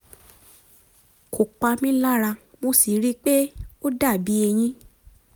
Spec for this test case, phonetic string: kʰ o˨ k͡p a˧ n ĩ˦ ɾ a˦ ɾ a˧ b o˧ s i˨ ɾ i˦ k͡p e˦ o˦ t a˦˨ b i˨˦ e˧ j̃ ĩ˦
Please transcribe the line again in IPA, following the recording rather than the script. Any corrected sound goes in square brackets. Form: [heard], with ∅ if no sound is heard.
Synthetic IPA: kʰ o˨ k͡p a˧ [m] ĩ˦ [l] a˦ ɾ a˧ [m] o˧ s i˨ ɾ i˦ k͡p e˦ o˦ [d] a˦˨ b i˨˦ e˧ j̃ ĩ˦